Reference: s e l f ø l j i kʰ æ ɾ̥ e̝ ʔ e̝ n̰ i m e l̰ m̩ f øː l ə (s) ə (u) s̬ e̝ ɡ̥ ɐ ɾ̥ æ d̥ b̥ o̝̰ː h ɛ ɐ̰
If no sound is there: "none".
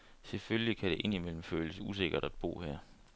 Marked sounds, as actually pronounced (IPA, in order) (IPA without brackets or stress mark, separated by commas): s, u